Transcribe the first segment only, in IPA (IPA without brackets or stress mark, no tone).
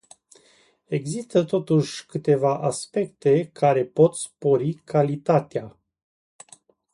e̞